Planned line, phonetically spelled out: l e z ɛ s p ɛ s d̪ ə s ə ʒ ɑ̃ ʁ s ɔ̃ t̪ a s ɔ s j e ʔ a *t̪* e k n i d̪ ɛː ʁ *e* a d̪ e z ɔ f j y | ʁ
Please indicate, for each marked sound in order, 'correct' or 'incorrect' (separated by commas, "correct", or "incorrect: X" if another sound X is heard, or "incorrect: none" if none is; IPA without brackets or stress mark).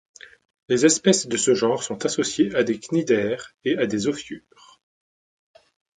incorrect: d̪, correct